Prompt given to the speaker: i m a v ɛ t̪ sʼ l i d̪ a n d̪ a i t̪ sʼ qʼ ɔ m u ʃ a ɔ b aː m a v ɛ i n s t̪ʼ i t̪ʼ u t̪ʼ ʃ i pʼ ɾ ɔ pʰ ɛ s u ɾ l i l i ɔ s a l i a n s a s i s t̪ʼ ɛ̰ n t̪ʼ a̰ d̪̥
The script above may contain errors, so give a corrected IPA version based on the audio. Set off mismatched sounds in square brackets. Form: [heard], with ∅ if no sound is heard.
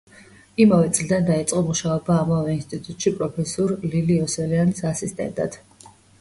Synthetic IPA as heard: i m a v ɛ t̪ sʼ l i d̪ a n d̪ a i t̪ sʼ qʼ ɔ m u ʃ a ɔ b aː m a v ɛ i n s t̪ʼ i t̪ʼ u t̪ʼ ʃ i pʼ ɾ ɔ pʰ ɛ s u ɾ l i l i ɔ s [ɛ] l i a n s a s i s t̪ʼ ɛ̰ n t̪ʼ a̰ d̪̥

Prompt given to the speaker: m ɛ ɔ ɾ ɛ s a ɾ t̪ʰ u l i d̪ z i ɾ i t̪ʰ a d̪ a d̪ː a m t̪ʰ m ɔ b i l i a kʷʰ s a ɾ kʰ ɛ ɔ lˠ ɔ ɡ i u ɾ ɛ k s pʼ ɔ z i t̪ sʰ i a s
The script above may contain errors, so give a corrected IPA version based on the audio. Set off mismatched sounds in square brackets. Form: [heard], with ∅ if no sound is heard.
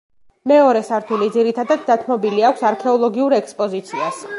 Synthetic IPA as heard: m ɛ ɔ ɾ ɛ s a ɾ t̪ʰ u l i d̪ z i ɾ i t̪ʰ a d̪ a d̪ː a [∅] t̪ʰ m ɔ b i l i a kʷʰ s a ɾ kʰ ɛ ɔ lˠ ɔ ɡ i u ɾ ɛ k s pʼ ɔ z i t̪ sʰ i a s

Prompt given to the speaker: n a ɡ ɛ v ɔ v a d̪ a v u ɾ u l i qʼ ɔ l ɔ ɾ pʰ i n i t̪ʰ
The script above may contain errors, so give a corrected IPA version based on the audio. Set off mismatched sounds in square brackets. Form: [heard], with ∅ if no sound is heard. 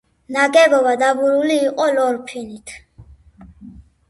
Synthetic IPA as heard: n a ɡ ɛ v ɔ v a d̪ a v u ɾ u l [iː] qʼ ɔ l ɔ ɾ pʰ i n i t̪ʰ

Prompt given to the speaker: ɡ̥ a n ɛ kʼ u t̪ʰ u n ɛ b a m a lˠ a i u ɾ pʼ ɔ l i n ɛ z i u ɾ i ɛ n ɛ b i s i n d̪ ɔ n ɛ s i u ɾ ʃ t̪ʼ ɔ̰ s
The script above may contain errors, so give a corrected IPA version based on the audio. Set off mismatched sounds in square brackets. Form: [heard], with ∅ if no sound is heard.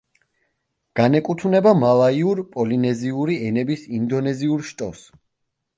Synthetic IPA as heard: ɡ̥ a n ɛ kʼ u t̪ʰ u n ɛ b a m a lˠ a i u ɾ pʼ ɔ l i n ɛ z i u ɾ i ɛ n ɛ b i s i n d̪ ɔ n ɛ [z] i u ɾ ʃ t̪ʼ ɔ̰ s

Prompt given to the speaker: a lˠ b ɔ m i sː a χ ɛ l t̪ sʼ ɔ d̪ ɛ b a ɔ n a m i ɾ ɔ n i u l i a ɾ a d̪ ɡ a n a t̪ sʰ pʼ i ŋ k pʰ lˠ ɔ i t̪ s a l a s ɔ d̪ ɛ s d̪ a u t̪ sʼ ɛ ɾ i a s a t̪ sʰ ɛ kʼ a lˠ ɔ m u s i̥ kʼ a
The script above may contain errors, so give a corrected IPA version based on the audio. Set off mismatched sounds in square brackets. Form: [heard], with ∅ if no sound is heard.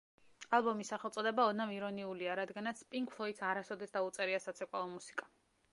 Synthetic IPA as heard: a lˠ b ɔ m i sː a χ ɛ l t̪ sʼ ɔ d̪ ɛ b a ɔ n a m i ɾ ɔ n i u l i a ɾ a d̪ ɡ a n a t̪ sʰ pʼ i ŋ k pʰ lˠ ɔ i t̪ s a [ɾ] a s ɔ d̪ ɛ s d̪ a u t̪ sʼ ɛ ɾ i a s a t̪ sʰ ɛ kʼ a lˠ ɔ m u s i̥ kʼ a

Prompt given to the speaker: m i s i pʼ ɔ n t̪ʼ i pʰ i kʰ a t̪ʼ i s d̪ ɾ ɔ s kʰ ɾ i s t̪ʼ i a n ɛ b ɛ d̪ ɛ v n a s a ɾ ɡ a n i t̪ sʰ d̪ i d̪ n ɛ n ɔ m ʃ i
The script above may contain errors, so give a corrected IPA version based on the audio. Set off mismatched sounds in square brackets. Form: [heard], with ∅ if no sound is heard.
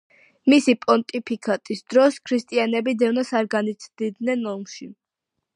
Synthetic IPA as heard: m i s i pʼ ɔ n t̪ʼ i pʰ i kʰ a t̪ʼ i s d̪ ɾ ɔ s kʰ ɾ i s t̪ʼ i a n ɛ b [i] d̪ ɛ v n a s a ɾ ɡ a n i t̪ sʰ d̪ i d̪ n ɛ n ɔ m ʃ i

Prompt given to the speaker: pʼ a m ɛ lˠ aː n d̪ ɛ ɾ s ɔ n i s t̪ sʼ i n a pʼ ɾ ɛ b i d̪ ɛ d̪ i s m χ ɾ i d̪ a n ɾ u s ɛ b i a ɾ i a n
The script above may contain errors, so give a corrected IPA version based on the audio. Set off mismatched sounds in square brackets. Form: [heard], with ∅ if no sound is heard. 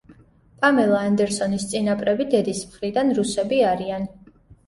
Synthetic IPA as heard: pʼ a m ɛ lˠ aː n d̪ ɛ ɾ s ɔ n i s t̪ sʼ i n a pʼ ɾ ɛ b i d̪ ɛ d̪ i s m χ ɾ i d̪ a n ɾ u s ɛ b i a ɾ i a n

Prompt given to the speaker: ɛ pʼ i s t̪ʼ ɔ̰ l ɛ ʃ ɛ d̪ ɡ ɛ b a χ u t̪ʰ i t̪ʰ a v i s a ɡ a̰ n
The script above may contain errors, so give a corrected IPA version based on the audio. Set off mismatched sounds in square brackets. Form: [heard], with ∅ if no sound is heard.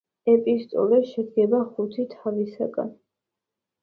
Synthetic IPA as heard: ɛ pʼ i s t̪ʼ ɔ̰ l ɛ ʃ ɛ d̪ ɡ ɛ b a χ u t̪ʰ i t̪ʰ a v i s a ɡ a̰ n

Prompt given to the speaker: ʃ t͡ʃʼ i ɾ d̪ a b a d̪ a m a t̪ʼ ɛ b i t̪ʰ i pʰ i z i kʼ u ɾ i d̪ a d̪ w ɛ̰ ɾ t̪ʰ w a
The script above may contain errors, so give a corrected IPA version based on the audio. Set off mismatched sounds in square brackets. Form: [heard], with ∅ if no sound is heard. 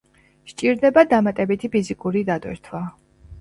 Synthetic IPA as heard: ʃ t͡ʃʼ i ɾ d̪ [ɛ] b a d̪ a m a t̪ʼ ɛ b i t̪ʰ i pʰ i z i kʼ u ɾ i d̪ a d̪ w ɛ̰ ɾ t̪ʰ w a

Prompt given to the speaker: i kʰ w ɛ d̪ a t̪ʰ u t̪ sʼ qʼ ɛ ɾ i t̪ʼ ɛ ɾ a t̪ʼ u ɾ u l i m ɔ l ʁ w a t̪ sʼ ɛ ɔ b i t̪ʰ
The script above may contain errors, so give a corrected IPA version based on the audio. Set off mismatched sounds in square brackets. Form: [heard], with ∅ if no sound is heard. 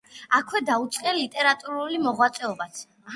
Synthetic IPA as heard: [a] kʰ w ɛ d̪ a [∅] u t̪ sʼ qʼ ɛ [l] i t̪ʼ ɛ ɾ a t̪ʼ u ɾ u l i m ɔ [∅] ʁ w a t̪ sʼ ɛ ɔ b [a] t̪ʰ

